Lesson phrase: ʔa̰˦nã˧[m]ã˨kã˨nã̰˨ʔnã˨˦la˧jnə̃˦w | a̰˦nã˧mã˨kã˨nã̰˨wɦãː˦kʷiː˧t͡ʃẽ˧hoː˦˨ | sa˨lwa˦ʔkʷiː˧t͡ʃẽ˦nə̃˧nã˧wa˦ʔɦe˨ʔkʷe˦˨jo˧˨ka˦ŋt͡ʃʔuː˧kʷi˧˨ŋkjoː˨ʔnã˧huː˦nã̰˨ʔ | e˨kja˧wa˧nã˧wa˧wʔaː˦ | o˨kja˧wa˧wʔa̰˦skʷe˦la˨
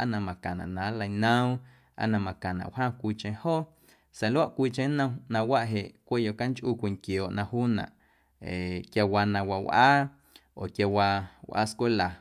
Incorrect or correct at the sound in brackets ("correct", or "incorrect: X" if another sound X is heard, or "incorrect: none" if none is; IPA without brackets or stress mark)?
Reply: correct